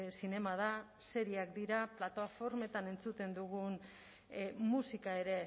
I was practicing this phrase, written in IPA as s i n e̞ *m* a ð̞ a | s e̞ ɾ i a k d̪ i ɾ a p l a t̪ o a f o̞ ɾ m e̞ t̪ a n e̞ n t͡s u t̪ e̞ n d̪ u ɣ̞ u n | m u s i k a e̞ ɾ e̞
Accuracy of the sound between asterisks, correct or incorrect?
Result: correct